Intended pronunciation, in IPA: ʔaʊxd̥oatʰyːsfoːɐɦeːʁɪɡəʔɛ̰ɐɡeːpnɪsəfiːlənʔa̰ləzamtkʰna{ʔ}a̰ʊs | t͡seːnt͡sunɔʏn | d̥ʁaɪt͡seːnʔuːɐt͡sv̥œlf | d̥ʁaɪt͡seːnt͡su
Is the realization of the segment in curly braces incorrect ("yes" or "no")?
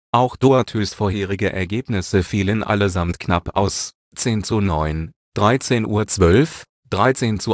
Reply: yes